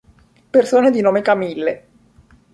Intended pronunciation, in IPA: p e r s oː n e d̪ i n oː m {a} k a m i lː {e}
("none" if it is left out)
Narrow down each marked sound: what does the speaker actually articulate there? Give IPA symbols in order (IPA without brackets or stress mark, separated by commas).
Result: e, e